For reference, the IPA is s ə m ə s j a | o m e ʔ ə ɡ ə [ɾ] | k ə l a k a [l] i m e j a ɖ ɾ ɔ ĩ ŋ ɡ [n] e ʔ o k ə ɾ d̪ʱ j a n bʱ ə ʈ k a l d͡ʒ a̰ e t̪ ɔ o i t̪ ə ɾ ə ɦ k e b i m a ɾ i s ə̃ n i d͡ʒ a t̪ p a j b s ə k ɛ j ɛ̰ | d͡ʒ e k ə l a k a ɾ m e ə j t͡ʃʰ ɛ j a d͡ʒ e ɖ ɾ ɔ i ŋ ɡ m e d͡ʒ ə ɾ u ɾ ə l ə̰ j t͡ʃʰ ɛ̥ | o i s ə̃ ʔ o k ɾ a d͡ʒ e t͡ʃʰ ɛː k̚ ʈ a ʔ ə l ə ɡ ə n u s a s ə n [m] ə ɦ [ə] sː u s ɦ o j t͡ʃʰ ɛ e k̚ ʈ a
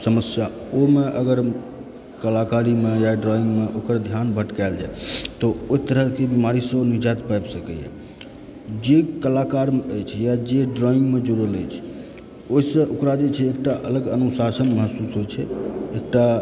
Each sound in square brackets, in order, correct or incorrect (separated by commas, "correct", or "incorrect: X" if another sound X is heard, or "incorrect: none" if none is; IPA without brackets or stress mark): correct, incorrect: ɾ, incorrect: m, correct, correct